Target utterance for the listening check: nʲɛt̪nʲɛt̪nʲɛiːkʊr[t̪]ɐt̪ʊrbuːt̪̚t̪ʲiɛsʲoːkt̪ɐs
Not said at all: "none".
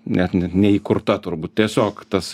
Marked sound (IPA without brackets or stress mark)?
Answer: t̪